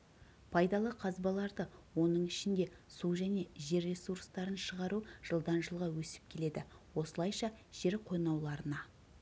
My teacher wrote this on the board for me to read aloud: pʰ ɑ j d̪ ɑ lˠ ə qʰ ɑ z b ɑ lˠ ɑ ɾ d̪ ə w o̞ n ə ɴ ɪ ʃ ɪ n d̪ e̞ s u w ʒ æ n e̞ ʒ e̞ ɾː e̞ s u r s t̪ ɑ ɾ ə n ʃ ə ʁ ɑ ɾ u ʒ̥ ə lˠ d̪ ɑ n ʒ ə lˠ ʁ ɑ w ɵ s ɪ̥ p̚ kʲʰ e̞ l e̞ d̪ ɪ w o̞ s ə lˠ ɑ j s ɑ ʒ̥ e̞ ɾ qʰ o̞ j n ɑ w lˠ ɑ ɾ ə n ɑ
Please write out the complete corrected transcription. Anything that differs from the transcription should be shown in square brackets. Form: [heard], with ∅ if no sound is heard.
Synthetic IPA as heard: pʰ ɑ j d̪ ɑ lˠ ə qʰ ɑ z b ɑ lˠ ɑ ɾ d̪ ə w o̞ n ə ɴ ɪ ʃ ɪ n d̪ e̞ s u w ʒ æ n e̞ ʒ e̞ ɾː e̞ s u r s t̪ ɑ ɾ ə n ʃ ə ʁ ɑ ɾ u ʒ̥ ə lˠ d̪ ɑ n ʒ ə lˠ ʁ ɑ w ɵ s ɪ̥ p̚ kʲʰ e̞ l e̞ d̪ ɪ w o̞ s ə lˠ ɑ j [ʃ] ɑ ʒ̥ e̞ ɾ qʰ o̞ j n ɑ w lˠ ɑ ɾ ə n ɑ